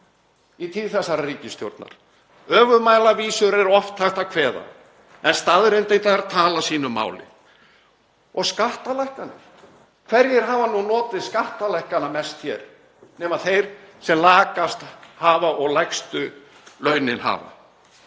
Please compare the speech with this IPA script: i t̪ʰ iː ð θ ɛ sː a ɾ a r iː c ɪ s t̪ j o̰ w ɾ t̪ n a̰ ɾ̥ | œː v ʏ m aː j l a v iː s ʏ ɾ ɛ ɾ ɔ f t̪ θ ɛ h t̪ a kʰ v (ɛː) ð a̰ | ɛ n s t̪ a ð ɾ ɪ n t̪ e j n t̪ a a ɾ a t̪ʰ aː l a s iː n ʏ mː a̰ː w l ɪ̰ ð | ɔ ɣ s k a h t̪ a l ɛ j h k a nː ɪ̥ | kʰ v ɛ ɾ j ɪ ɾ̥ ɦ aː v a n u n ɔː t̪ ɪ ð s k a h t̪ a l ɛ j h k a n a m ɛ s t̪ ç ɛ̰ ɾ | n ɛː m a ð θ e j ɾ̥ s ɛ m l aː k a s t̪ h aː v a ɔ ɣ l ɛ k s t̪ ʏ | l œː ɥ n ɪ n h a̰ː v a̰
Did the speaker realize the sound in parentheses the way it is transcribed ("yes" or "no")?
yes